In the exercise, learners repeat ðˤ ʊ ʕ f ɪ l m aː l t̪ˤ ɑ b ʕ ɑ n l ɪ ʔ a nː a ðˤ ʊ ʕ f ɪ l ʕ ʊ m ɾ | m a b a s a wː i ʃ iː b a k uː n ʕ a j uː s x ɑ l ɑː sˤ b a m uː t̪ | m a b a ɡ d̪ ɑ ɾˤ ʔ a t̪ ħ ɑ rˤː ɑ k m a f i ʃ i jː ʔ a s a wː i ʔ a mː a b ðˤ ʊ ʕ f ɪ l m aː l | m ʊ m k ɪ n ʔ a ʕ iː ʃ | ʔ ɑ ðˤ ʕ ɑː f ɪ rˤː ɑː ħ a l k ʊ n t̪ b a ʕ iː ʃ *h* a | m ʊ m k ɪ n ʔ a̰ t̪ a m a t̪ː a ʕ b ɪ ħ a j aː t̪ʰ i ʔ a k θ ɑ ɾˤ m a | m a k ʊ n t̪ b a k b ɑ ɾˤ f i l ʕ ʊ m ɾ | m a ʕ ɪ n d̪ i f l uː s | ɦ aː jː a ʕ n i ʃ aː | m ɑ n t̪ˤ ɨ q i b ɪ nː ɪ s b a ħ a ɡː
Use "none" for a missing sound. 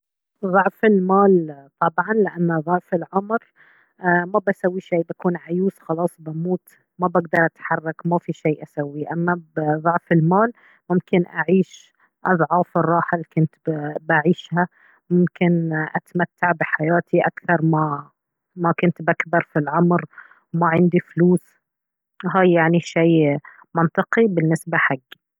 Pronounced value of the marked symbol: h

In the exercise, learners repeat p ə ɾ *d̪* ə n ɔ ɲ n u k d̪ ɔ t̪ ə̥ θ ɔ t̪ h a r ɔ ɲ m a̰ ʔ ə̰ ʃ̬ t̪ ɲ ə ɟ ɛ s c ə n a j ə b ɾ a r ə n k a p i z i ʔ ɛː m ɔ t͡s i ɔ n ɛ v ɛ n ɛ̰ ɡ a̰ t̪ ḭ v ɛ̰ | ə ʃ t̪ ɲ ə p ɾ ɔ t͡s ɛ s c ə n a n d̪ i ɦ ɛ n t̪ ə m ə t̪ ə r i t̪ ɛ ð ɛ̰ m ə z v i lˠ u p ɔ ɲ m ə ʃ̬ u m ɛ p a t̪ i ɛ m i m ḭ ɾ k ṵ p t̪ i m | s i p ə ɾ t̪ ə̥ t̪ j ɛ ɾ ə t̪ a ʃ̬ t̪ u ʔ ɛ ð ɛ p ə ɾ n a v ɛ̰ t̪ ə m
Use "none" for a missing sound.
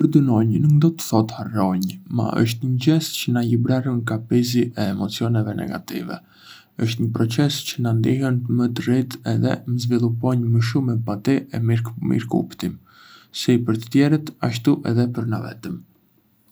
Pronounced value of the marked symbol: d̪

